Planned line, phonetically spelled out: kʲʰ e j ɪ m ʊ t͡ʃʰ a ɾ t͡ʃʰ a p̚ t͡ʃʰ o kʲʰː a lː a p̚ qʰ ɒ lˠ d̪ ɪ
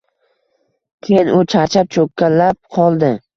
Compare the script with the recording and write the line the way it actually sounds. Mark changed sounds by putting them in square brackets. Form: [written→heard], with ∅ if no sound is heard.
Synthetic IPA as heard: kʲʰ e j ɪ [m→n] ʊ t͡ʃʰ a ɾ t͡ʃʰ a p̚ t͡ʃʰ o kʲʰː a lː a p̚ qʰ ɒ lˠ d̪ ɪ